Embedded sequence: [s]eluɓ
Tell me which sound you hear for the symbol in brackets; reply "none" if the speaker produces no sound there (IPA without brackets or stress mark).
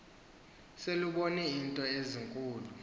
s